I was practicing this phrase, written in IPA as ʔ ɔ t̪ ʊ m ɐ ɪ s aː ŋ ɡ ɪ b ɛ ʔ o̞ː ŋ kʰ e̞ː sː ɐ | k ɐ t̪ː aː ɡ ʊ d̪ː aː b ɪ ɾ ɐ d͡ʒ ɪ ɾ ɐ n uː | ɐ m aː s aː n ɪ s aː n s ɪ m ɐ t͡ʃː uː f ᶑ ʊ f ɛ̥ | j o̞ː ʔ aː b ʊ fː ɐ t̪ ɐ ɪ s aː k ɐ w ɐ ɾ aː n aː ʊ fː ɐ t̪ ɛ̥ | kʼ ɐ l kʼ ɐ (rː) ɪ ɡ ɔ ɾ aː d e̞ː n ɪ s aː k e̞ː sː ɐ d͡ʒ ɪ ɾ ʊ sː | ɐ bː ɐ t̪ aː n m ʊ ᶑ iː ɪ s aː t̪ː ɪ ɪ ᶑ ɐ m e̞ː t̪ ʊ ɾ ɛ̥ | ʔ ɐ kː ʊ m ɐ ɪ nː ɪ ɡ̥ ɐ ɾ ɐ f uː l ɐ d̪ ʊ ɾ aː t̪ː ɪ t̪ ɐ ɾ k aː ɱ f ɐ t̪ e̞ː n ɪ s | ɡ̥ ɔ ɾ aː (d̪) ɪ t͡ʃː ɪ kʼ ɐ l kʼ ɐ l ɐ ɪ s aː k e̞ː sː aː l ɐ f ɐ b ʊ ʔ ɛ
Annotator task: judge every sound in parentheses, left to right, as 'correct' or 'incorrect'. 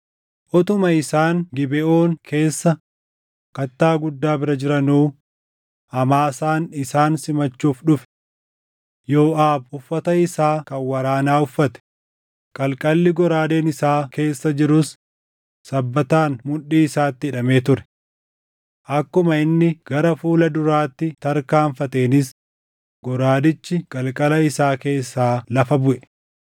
incorrect, correct

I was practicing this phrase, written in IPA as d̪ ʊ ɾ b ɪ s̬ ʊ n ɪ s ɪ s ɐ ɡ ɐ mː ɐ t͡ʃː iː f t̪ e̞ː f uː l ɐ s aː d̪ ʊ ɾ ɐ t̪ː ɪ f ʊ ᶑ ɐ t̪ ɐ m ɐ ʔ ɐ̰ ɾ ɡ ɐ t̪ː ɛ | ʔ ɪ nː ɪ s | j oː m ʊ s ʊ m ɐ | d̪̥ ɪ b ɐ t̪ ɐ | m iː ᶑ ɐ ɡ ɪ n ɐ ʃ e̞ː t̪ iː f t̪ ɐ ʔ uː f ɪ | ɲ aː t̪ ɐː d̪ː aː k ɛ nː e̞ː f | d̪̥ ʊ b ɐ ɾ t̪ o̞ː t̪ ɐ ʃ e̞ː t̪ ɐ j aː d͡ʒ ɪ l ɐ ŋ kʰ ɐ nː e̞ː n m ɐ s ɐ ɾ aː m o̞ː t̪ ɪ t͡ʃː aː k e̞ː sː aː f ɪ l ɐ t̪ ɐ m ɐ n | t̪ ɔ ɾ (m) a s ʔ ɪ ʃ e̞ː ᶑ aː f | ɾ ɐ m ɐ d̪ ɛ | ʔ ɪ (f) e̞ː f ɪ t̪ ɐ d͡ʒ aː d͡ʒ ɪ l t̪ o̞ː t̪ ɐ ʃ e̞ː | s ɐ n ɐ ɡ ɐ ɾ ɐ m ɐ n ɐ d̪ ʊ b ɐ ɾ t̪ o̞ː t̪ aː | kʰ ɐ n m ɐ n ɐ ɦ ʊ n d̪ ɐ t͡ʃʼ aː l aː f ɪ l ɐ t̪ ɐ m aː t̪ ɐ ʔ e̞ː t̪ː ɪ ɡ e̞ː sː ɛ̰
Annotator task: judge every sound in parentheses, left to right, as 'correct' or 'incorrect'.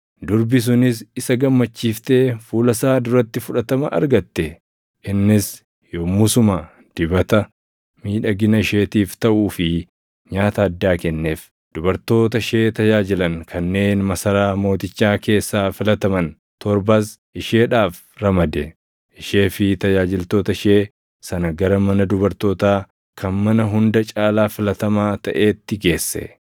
incorrect, incorrect

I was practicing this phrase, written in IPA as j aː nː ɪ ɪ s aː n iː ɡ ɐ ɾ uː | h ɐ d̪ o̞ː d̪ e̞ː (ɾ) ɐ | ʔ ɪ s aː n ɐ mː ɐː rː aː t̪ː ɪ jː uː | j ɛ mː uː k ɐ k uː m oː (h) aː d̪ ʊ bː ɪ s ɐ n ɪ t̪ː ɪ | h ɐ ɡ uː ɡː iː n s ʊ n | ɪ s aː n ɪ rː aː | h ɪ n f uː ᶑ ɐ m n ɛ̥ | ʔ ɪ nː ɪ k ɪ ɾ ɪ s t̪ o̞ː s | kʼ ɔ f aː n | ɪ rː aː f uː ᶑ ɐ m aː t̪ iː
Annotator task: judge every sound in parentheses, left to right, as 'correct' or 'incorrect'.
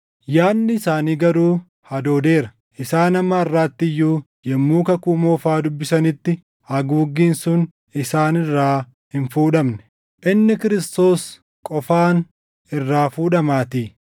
correct, incorrect

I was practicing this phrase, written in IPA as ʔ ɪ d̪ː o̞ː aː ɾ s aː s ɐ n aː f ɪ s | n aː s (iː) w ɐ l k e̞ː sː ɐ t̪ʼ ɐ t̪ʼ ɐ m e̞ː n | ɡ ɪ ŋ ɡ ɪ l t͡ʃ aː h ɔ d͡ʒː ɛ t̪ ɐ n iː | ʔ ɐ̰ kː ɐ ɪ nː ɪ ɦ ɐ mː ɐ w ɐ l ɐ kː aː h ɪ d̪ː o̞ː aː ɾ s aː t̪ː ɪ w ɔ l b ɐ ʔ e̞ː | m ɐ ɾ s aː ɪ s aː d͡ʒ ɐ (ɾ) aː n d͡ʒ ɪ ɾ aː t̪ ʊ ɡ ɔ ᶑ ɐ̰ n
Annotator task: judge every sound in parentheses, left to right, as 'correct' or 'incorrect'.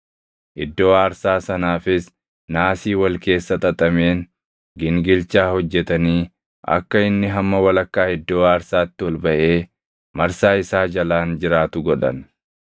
correct, incorrect

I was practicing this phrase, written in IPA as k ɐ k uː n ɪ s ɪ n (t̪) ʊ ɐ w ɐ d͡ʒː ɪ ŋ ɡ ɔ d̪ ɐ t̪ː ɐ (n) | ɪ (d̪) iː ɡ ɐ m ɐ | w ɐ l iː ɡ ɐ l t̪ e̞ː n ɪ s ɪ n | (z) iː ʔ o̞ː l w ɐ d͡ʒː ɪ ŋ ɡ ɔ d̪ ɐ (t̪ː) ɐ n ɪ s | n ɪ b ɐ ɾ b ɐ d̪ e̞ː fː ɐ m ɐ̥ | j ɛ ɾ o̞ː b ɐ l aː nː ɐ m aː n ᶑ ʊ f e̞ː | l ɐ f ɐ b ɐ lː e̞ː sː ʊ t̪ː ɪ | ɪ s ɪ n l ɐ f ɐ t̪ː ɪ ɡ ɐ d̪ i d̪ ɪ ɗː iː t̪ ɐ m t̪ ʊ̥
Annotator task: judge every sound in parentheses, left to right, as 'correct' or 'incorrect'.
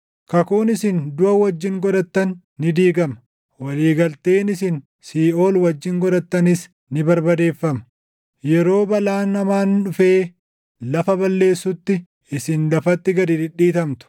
incorrect, incorrect, correct, incorrect, correct

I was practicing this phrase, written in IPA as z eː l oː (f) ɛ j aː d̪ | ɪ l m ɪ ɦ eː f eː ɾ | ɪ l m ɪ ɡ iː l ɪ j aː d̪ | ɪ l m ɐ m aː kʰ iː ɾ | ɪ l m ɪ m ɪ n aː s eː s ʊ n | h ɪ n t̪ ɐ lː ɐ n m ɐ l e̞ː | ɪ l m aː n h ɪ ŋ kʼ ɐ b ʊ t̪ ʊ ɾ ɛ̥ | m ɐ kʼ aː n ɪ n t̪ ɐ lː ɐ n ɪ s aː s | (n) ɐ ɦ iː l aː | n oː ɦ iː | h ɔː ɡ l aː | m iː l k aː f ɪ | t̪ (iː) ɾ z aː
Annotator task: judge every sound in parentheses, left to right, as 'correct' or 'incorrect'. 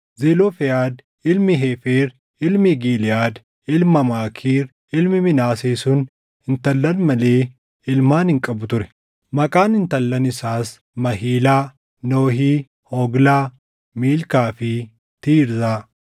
correct, incorrect, correct

